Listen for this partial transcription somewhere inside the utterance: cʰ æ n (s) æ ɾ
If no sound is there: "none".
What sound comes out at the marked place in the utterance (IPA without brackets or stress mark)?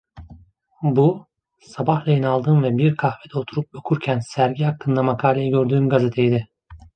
s